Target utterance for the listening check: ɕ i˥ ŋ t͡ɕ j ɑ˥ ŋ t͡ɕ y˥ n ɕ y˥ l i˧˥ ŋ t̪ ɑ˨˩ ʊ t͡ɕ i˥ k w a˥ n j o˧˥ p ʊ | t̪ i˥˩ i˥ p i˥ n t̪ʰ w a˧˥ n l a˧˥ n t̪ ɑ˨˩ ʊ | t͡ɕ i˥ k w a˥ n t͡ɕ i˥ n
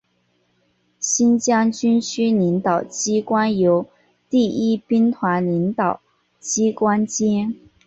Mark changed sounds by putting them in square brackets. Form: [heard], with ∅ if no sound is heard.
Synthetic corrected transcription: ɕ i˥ [n] t͡ɕ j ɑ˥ ŋ t͡ɕ y˥ n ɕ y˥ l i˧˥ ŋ t̪ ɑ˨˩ ʊ t͡ɕ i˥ k w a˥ n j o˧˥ [∅] ʊ | t̪ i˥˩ i˥ p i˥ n t̪ʰ w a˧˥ n l [i˧˥] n t̪ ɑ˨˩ ʊ | t͡ɕ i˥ k w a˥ n t͡ɕ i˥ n